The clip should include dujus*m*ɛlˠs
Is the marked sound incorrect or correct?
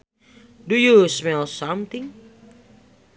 correct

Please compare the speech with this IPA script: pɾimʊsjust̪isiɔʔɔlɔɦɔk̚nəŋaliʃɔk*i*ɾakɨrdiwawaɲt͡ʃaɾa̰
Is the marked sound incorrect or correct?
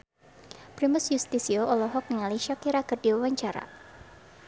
correct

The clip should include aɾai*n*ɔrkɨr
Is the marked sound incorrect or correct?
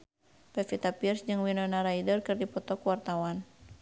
incorrect: d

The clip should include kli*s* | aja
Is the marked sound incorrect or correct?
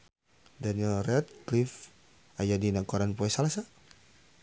incorrect: f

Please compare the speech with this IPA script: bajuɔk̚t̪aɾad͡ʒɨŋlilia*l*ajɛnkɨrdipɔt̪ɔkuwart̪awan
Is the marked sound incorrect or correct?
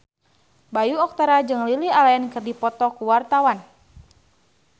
correct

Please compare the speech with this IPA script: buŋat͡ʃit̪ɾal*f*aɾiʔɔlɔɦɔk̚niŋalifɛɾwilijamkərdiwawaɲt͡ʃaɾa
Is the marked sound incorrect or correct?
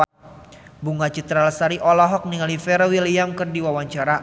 incorrect: s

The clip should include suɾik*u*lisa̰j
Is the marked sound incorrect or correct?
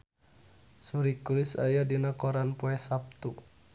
correct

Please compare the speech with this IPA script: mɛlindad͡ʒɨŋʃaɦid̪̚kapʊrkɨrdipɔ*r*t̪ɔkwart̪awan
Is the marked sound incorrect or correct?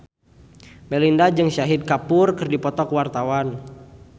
incorrect: none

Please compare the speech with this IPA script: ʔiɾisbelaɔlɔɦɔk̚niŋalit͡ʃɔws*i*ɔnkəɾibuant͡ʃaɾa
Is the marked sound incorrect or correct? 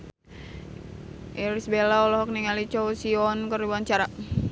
correct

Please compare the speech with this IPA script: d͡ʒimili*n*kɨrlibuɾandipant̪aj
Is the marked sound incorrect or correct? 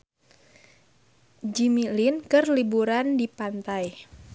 correct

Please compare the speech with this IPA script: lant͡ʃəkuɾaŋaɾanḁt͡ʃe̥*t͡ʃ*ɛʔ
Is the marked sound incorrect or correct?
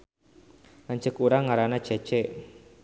correct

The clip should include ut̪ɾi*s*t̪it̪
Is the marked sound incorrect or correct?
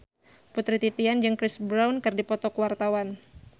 incorrect: none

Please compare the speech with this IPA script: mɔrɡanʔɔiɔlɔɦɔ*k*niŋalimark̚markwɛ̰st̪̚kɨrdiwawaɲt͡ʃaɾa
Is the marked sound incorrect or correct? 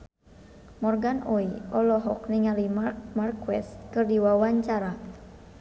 correct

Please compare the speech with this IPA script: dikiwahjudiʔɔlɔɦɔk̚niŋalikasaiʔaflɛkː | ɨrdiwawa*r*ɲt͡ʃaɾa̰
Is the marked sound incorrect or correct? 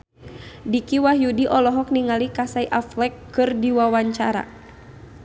incorrect: none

